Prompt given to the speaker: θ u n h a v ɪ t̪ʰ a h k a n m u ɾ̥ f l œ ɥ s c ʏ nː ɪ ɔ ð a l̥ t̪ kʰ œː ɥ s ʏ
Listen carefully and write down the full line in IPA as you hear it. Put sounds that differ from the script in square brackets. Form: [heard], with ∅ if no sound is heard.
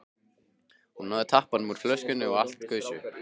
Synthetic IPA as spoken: [h] u n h a [ð] ɪ t̪ʰ a h [p] a n m u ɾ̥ f l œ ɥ s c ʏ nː ɪ ɔ [ɣ] a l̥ t̪ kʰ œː ɥ s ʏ